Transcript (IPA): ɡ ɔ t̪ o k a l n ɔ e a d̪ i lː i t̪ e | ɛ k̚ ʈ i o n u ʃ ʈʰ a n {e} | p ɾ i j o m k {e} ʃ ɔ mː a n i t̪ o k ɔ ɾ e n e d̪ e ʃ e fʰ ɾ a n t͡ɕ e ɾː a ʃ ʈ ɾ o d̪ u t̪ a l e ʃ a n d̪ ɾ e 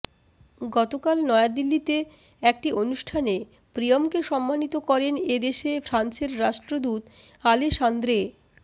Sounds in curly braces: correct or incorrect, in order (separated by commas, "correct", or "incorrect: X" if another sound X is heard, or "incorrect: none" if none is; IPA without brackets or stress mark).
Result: correct, correct